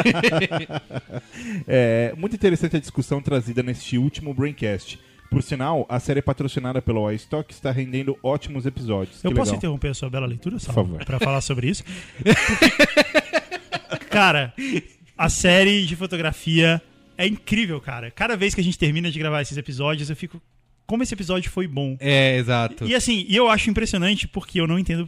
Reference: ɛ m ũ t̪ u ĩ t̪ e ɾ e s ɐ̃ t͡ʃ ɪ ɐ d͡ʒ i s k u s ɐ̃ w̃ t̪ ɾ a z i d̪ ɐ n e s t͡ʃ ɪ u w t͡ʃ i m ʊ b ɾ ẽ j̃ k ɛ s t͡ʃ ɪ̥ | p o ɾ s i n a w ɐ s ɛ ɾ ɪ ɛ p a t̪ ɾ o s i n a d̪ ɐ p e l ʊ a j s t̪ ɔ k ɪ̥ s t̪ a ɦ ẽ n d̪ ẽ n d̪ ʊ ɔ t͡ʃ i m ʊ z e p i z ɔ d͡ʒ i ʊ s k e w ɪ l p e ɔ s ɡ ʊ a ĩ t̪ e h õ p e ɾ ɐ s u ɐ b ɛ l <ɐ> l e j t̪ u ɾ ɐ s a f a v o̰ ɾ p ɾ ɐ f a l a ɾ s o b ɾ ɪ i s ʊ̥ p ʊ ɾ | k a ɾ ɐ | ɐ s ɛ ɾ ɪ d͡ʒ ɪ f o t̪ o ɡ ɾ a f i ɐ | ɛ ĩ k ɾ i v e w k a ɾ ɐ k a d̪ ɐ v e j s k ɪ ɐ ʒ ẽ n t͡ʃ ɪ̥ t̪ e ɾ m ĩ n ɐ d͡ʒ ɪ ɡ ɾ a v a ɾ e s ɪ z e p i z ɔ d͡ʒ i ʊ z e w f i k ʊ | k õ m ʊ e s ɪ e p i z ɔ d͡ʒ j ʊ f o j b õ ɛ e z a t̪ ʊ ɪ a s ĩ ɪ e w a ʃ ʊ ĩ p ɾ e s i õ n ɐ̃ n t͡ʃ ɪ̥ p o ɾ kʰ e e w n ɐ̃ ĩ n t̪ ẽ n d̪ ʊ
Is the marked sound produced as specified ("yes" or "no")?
yes